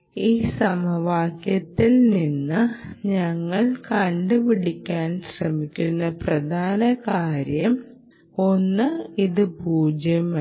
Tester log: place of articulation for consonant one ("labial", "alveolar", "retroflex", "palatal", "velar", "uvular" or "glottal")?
alveolar